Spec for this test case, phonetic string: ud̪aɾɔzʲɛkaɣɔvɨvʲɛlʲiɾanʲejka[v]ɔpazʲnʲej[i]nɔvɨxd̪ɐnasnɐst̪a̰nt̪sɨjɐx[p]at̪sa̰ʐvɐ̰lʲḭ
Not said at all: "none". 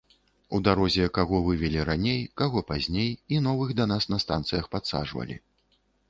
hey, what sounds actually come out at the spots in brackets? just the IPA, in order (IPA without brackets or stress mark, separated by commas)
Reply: ɣ, i, p